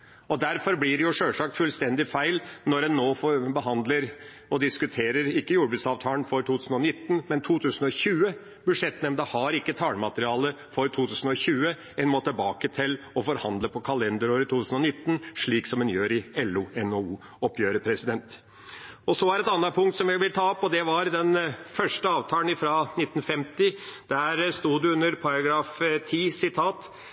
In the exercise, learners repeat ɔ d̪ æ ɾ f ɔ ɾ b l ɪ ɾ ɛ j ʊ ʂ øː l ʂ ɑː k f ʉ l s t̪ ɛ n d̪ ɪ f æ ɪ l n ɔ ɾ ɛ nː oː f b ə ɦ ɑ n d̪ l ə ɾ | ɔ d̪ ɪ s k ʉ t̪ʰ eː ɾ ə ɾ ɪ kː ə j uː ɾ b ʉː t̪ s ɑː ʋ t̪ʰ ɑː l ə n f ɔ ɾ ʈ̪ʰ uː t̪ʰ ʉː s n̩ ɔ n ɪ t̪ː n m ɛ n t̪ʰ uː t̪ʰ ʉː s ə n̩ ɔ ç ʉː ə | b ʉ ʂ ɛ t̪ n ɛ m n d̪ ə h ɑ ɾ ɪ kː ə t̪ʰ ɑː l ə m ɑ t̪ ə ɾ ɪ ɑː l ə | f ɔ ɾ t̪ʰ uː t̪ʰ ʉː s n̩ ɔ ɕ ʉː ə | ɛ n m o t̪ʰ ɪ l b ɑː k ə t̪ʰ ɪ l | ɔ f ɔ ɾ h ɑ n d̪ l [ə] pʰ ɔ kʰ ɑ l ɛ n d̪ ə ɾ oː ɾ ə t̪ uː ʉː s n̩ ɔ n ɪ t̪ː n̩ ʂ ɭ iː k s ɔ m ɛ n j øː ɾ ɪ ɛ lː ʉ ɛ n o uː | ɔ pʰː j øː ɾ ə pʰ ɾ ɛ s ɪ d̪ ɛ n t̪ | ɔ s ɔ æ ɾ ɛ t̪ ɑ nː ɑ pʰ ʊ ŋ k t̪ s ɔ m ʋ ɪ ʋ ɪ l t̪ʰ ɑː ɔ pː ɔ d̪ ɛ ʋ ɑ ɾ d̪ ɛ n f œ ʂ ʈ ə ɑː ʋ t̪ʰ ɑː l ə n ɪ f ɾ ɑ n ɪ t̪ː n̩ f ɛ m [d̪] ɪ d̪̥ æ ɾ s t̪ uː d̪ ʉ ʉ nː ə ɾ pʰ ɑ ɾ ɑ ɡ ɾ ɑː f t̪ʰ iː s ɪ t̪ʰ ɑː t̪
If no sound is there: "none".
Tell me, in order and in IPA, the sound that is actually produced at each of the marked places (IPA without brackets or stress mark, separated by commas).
ə, t̪